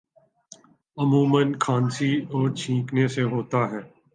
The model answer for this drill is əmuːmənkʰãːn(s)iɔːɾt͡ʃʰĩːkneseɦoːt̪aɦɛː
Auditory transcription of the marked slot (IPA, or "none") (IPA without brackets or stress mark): s